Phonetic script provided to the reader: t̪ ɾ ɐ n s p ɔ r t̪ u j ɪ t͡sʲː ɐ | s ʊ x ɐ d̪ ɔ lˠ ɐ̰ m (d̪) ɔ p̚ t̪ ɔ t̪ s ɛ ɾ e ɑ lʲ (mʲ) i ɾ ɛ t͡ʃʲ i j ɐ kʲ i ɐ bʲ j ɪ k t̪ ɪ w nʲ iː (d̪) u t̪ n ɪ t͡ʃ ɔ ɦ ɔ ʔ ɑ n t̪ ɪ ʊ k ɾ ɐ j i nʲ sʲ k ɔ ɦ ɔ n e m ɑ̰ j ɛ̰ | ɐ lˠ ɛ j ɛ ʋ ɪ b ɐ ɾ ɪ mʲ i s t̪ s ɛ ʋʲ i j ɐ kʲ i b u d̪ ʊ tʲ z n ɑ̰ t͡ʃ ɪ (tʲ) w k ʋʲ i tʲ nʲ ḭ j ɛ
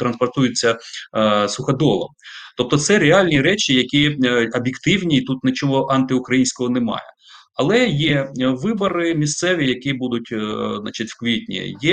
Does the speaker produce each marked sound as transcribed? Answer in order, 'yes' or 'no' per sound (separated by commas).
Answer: no, no, no, yes